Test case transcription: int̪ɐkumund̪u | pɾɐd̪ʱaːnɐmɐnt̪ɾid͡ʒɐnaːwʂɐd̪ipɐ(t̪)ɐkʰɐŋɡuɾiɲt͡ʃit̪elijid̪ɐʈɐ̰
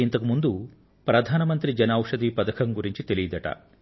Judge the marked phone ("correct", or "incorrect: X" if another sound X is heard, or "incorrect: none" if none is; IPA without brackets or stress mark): incorrect: d̪